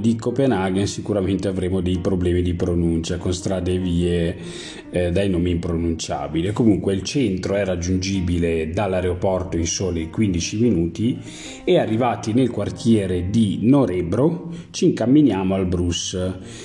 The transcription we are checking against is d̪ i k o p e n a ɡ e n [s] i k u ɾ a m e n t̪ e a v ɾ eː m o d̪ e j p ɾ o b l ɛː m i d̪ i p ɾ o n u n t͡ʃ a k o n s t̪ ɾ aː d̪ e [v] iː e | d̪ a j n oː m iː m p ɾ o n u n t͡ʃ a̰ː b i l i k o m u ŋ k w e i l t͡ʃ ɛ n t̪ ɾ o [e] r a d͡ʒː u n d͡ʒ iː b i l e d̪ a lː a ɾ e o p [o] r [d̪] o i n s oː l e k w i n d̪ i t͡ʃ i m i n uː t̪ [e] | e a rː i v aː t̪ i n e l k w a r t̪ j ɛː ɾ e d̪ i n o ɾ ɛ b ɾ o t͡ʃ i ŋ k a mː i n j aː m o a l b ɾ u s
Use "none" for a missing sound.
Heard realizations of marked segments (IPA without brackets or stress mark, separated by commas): s, v, ɛ, ɔ, t̪, i